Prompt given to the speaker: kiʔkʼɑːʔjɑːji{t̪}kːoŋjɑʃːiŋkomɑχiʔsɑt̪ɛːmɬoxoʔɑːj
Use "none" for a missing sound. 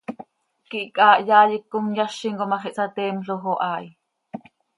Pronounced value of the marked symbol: none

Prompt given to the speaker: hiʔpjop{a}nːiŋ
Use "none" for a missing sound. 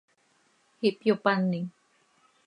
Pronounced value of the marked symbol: a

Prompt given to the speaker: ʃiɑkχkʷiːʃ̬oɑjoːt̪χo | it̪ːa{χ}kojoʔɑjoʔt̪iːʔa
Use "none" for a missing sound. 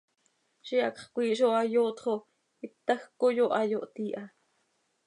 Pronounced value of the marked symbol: x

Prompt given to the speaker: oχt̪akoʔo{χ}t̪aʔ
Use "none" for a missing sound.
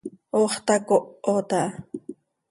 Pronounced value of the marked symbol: none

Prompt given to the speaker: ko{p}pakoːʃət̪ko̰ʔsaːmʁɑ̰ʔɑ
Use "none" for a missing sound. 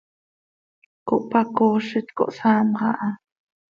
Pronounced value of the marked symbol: ʔ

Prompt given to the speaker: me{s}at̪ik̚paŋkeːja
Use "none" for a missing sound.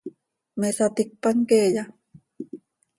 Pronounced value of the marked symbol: s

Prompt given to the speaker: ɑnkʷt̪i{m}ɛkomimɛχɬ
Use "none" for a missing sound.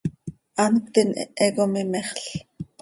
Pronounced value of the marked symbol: n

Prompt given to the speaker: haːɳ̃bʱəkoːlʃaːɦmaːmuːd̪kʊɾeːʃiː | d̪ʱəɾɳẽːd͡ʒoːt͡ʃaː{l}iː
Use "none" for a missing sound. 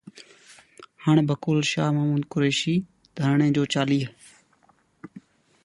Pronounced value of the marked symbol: l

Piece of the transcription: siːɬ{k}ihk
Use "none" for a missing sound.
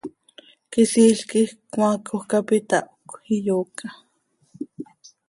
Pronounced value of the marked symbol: k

